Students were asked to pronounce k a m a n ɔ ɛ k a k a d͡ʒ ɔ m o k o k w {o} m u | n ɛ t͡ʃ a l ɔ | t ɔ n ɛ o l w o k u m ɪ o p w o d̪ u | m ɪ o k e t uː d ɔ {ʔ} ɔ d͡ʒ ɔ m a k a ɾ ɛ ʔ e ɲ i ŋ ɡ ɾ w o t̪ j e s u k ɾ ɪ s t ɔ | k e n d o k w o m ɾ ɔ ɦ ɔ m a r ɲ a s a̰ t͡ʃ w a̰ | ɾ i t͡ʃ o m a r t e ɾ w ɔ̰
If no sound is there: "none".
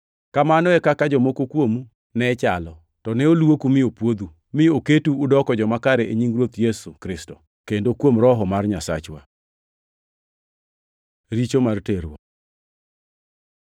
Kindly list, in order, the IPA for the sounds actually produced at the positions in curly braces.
o, k

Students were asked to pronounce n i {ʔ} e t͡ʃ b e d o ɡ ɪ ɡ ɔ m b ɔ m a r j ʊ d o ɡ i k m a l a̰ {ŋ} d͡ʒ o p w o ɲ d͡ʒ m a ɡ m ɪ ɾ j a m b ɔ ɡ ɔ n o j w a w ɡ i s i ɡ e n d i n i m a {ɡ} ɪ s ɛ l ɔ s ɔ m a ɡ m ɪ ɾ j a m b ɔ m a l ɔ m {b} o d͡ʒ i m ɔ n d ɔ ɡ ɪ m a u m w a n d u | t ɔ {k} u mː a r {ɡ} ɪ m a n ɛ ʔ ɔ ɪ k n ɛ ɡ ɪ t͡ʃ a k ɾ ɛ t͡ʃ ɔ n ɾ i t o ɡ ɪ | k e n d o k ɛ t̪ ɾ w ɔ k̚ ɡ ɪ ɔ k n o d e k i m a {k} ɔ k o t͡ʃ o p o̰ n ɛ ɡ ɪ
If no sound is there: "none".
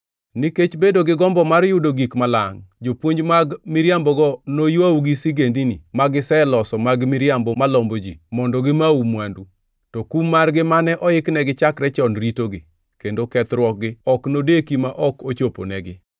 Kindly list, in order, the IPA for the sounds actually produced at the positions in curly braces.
k, ŋ, ɡ, b, k, ɡ, ʔ

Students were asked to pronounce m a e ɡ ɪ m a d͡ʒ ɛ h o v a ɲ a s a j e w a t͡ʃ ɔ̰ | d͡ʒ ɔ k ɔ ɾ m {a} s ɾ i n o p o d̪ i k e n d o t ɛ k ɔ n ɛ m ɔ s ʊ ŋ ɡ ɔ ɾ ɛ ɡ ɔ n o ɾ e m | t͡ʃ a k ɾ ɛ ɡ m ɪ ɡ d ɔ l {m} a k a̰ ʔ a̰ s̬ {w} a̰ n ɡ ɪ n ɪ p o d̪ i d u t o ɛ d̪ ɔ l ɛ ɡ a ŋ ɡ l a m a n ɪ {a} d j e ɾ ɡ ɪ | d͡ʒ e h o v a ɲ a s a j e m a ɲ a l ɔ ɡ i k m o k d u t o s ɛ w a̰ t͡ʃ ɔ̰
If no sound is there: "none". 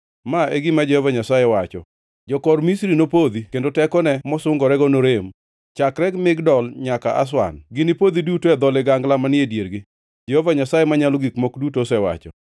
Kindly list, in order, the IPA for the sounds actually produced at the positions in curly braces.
i, ɲ, w, e

